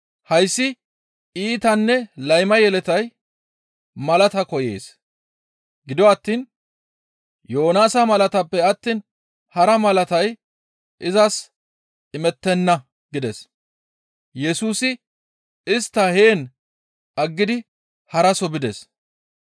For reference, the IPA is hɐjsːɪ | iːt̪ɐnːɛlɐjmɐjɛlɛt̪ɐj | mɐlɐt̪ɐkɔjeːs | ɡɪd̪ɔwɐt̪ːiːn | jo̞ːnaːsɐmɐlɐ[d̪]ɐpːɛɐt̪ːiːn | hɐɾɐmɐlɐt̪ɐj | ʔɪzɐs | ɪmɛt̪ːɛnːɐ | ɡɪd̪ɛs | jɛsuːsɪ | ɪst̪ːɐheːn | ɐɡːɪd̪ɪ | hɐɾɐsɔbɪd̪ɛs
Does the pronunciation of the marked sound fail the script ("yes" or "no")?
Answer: yes